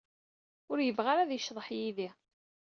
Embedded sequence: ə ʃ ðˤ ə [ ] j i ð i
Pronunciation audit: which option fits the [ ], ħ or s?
ħ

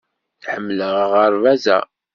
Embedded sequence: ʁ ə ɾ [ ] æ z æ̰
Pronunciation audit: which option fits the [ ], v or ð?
v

